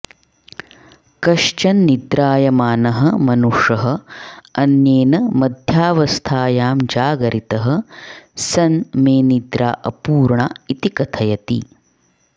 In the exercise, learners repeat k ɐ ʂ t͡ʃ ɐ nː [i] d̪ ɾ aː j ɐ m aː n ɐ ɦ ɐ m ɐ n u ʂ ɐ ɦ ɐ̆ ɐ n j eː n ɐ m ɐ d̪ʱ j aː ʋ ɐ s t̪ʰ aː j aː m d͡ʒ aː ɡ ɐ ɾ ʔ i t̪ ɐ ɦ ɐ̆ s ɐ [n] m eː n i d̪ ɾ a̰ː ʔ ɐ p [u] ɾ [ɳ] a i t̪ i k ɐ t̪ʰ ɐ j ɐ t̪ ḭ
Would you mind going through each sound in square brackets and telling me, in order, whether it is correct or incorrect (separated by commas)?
correct, correct, incorrect, correct